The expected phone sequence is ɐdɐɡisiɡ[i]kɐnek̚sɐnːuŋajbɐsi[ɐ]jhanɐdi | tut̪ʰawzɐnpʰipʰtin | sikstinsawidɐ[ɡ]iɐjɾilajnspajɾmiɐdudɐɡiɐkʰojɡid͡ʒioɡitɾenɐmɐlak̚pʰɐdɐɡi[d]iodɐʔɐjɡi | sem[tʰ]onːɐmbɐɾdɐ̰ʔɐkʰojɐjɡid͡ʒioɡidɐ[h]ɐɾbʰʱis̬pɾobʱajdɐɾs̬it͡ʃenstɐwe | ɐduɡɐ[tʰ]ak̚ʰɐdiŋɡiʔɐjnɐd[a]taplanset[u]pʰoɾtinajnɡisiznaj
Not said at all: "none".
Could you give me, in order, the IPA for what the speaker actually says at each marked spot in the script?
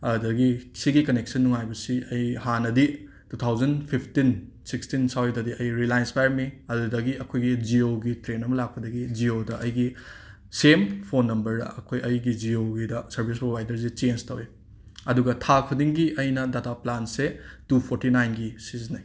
i, ɐ, d, d͡ʒ, pʰ, s, tʰ, a, u

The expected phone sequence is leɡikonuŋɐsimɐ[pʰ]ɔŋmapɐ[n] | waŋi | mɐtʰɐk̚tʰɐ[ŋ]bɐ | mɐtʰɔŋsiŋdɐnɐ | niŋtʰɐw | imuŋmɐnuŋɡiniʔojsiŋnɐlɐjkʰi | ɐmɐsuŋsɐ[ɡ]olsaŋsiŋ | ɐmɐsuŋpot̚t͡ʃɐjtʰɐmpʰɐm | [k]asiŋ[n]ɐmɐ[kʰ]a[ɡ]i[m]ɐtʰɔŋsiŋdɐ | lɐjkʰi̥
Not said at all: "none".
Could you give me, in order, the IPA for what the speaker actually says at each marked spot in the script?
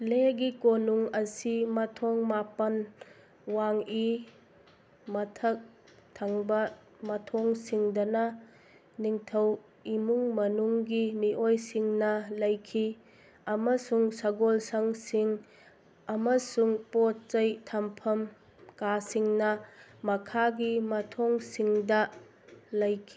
tʰ, n, ŋ, ɡ, k, n, kʰ, ɡ, m

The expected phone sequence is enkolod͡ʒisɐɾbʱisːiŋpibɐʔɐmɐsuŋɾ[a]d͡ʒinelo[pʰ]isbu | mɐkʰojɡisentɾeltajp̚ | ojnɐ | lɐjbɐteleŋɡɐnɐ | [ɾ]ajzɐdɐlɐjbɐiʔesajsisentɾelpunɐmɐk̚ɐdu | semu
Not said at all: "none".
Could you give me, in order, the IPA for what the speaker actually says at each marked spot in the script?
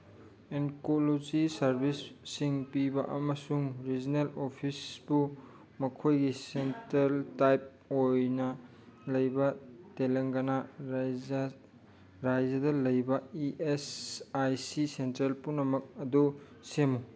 i, pʰ, ɾ

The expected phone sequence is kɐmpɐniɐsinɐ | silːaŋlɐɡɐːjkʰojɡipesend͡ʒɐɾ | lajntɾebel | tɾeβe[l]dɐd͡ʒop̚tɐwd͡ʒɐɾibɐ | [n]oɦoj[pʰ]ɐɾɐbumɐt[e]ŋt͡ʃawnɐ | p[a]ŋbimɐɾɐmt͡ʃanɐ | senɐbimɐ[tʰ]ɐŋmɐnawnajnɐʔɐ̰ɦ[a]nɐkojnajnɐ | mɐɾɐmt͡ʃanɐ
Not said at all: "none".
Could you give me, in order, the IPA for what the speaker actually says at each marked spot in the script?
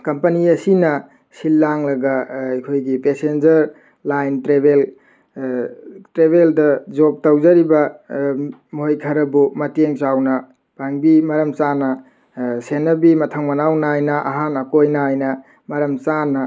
l, m, kʰ, e, a, tʰ, a

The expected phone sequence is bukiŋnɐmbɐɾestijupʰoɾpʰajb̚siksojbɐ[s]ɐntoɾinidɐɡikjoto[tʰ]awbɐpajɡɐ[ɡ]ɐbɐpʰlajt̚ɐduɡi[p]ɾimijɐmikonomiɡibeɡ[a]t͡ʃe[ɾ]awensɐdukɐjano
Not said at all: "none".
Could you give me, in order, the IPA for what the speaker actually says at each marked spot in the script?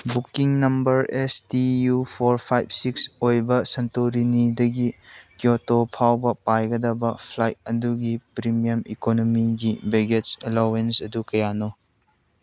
s, pʰ, d, p, e, l

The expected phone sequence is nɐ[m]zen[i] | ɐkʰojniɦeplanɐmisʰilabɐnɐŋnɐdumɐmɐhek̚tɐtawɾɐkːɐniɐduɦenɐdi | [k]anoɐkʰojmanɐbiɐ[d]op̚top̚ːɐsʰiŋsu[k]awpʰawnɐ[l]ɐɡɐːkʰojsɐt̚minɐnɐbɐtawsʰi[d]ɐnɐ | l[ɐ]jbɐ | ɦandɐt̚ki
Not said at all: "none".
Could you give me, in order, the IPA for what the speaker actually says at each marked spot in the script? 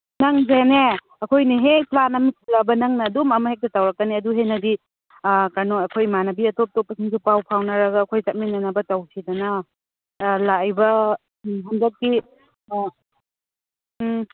ŋ, e, k, t, p, ɾ, d, a

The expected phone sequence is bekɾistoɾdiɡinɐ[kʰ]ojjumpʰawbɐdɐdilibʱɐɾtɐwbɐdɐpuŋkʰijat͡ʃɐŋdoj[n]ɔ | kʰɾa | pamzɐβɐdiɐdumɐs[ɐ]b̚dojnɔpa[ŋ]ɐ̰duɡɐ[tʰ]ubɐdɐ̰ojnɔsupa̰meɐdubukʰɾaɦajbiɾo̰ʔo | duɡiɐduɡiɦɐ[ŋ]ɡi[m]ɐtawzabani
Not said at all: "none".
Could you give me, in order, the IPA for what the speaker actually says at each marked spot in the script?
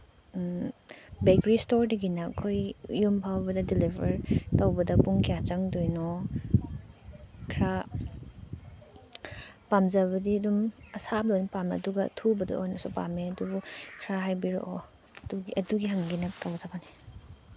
kʰ, n, a, m, tʰ, ŋ, n

